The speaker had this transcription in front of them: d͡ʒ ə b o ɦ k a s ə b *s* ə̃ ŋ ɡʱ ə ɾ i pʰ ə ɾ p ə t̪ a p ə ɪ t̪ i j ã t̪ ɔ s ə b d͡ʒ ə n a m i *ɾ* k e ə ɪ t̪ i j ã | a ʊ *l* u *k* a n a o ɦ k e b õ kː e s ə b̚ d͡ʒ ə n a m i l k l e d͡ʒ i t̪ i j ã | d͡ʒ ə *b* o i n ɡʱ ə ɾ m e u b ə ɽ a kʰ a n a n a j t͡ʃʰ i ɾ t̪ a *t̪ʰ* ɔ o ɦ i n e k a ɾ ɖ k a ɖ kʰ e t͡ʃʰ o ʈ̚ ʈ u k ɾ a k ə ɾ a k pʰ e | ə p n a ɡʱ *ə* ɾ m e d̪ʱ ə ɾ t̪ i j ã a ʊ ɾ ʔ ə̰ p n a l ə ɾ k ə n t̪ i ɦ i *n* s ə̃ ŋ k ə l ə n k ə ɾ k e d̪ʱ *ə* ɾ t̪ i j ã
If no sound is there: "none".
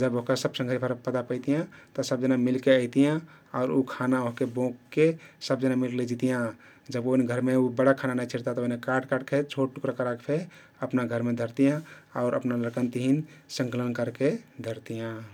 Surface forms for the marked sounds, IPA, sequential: s, l, ɾ, kʰ, b, t̪, ə, n, ə

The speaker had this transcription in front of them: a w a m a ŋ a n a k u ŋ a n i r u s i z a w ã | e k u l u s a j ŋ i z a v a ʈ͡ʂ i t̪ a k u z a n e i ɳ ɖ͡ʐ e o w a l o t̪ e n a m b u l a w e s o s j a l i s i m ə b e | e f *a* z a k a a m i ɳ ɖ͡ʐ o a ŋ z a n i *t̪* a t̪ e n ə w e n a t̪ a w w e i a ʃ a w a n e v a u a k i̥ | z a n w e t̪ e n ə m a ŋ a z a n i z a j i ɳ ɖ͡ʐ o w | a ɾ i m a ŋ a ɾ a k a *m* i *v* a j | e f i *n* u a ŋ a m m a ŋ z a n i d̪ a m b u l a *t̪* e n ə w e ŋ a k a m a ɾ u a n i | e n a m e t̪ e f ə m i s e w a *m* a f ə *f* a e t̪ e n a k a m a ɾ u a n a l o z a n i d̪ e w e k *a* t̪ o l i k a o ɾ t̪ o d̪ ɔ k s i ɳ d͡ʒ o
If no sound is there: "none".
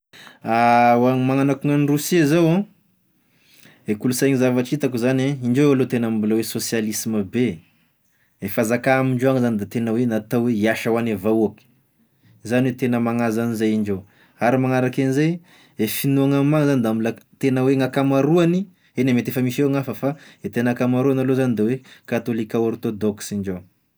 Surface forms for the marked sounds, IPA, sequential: a, d̪, n, z, n, t̪, ŋ, f, a

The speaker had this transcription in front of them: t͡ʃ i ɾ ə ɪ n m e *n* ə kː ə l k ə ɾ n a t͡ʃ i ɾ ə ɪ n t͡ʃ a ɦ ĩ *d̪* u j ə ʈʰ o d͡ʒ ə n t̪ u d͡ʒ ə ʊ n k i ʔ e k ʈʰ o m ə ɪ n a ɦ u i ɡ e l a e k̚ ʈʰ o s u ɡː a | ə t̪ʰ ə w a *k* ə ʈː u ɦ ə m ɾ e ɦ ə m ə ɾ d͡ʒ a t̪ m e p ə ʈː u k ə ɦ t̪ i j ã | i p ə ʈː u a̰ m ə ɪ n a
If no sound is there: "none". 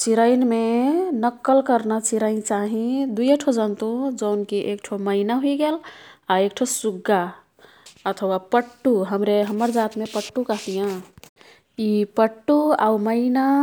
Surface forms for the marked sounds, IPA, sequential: n, d̪, p

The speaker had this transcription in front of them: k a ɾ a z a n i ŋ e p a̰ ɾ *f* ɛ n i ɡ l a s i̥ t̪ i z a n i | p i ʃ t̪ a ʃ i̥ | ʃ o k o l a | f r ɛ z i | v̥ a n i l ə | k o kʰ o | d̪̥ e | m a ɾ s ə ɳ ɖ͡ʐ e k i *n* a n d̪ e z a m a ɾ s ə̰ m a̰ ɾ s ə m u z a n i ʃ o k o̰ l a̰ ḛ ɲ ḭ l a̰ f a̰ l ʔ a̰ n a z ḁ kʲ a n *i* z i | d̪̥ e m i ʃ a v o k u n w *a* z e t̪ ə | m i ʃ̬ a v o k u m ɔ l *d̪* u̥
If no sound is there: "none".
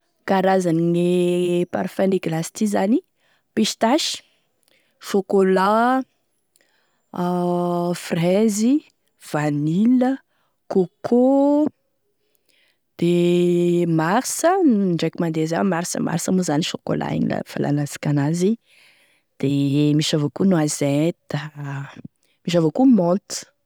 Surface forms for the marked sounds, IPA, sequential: f, m, a, a, t̪

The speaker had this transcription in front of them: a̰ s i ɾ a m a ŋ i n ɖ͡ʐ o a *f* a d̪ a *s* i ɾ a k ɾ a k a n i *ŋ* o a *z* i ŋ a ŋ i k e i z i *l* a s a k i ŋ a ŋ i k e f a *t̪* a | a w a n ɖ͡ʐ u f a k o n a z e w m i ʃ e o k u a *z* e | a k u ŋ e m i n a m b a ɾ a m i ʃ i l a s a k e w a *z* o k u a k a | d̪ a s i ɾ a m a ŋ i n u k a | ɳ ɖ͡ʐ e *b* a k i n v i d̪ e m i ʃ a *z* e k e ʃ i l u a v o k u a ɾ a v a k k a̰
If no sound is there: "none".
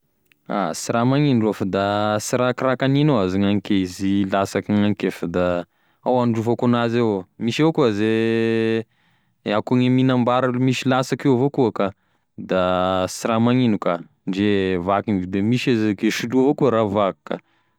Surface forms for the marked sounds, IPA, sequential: f, s, n, z, l, d̪, z, v, v, z

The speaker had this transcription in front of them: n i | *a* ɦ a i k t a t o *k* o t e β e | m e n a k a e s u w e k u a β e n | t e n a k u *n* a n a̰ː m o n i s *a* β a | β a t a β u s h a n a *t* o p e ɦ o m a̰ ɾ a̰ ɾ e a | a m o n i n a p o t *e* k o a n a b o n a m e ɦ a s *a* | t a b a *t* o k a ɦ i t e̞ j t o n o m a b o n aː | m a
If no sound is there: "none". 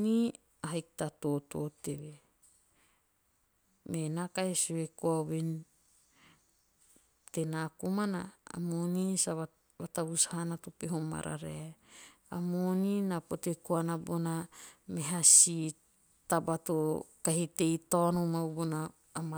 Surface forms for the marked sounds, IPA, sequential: a, t, m, a, t, e, i, t

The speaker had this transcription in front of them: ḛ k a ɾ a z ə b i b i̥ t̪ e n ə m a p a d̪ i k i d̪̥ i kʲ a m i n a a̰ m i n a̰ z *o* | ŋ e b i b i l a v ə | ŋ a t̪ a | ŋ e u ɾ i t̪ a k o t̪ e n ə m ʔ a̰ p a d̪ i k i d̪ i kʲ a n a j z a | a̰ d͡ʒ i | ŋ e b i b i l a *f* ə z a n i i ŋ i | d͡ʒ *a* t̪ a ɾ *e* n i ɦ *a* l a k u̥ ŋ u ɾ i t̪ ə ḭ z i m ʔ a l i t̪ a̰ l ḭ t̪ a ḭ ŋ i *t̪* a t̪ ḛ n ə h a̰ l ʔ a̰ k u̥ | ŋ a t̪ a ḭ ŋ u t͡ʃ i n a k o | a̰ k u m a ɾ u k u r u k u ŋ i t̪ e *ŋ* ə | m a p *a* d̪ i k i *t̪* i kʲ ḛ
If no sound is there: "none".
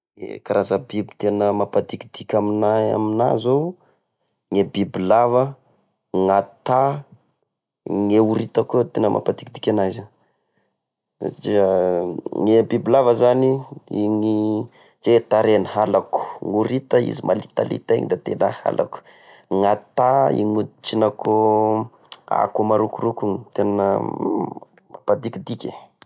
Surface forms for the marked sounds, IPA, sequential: o, v, e, e, a, d̪, n, a, d̪

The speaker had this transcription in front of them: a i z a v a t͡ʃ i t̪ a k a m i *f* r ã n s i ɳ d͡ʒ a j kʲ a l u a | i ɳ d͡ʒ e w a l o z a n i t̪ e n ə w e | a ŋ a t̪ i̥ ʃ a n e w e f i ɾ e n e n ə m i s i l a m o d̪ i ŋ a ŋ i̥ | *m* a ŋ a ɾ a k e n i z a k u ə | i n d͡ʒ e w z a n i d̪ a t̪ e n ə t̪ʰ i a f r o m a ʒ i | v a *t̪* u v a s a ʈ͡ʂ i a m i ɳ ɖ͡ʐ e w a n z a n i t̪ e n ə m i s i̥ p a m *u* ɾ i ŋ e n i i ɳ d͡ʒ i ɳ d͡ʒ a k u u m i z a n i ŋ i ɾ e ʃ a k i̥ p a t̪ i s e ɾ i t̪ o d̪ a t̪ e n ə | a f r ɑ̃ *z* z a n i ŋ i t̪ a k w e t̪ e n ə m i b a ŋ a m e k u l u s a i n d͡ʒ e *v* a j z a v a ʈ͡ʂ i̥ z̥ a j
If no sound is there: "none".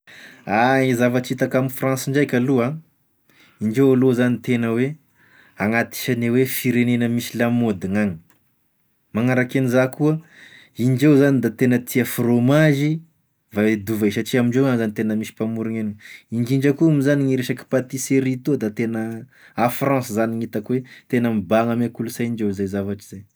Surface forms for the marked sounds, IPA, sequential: f, m, d̪, u, s, z

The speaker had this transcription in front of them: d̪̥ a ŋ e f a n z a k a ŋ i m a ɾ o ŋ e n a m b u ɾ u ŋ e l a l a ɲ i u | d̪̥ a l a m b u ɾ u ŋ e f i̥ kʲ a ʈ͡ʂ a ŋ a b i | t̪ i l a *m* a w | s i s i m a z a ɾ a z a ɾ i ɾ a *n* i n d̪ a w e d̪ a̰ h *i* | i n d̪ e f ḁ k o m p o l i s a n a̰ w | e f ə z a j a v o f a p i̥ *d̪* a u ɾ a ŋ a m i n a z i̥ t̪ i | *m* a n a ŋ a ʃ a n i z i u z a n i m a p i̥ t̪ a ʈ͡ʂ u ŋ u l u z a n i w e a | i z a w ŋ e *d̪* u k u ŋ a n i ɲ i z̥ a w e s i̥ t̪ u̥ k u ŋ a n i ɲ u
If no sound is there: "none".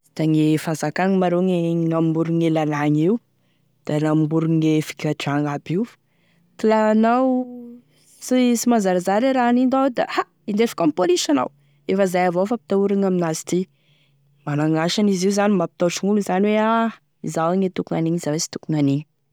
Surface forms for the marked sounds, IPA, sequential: n, n, a, t̪, m, t̪

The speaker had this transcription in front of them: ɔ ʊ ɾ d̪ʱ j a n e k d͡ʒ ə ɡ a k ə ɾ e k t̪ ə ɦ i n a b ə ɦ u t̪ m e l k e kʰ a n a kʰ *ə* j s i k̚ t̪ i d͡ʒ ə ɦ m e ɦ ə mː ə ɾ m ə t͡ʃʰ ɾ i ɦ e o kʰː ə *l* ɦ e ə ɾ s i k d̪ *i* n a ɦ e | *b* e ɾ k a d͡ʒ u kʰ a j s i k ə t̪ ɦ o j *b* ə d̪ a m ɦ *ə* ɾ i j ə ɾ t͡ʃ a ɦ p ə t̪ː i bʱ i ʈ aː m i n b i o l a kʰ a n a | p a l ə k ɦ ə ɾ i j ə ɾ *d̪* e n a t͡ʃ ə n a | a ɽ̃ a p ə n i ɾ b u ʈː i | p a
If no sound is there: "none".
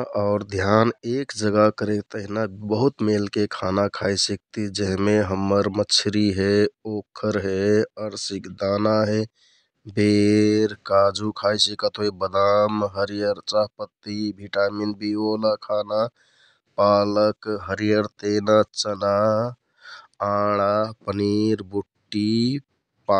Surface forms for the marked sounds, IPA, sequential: a, ɾ, a, b, b, ə, t̪

